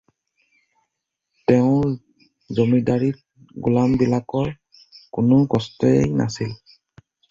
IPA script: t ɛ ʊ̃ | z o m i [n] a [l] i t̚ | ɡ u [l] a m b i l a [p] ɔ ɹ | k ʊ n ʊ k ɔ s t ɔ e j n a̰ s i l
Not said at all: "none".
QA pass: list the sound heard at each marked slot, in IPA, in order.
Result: d, ɹ, l, k

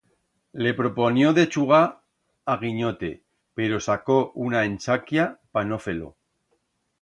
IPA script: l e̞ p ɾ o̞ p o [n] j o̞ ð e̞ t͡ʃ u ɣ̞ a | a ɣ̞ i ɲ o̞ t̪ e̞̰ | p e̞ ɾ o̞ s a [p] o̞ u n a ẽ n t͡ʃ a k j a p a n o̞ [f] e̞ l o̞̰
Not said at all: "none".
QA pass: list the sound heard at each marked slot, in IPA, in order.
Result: n, k, f

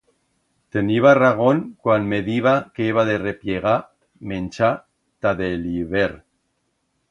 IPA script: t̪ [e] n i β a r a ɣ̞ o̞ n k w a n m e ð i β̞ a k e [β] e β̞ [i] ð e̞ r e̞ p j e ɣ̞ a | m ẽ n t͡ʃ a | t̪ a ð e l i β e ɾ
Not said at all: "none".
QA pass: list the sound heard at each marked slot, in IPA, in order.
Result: e, none, a

